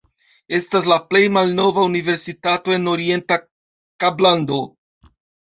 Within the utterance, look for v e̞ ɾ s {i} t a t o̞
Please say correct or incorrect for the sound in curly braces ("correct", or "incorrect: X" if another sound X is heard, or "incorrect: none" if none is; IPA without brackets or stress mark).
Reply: correct